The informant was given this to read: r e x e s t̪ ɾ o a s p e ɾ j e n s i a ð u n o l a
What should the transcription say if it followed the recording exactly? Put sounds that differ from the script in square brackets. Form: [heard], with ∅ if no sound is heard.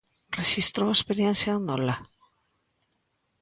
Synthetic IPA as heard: r e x [i] s t̪ ɾ o [e] s p e ɾ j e n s [j] a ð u n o l a